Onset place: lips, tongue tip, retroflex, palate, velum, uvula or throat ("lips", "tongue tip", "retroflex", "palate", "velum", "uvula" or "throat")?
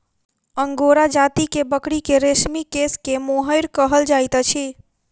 velum